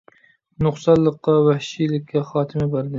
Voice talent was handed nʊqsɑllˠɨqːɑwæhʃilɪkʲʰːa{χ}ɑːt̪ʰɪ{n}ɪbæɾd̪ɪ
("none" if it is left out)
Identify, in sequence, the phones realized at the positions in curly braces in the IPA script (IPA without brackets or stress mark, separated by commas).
χ, m